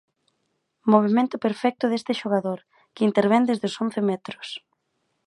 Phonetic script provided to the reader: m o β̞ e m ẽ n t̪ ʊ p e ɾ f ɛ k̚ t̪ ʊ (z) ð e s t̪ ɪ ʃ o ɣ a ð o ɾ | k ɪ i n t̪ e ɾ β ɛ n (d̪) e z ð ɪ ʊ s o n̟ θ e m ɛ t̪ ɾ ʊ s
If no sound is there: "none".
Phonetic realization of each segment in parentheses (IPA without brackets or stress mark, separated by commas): none, d̪